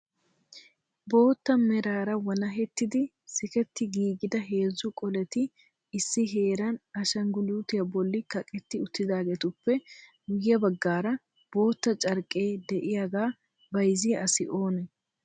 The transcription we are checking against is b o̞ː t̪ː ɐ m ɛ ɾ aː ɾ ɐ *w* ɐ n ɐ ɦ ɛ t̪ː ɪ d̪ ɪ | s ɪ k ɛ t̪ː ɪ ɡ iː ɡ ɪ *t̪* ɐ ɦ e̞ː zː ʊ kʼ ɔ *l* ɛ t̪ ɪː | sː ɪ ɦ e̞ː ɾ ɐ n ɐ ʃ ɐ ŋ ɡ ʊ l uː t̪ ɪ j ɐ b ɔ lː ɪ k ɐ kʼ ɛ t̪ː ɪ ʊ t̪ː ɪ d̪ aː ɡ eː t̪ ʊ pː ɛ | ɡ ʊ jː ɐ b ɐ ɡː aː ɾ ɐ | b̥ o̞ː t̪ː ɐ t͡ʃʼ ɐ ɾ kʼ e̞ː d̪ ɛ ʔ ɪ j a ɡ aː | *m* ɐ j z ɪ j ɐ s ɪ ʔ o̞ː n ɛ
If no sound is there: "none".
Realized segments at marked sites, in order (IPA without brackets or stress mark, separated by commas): w, d̪, l, b